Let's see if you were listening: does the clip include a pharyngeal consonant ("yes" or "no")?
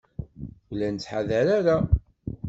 yes